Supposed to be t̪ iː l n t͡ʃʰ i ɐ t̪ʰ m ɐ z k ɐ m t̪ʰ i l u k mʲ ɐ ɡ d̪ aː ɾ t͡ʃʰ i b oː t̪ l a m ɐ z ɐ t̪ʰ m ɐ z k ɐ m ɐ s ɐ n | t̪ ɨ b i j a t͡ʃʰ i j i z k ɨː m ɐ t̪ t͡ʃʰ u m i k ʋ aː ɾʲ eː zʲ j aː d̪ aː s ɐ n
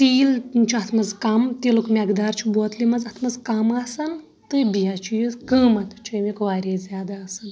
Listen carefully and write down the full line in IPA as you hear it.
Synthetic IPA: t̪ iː l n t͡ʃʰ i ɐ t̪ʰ m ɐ z k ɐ m t̪ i l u k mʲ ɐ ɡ d̪ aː ɾ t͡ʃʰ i b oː t̪ l i m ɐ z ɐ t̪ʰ m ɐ z k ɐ m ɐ s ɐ n | t̪ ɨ b i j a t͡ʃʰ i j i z k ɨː m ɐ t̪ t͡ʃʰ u m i k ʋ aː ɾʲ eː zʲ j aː d̪ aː s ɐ n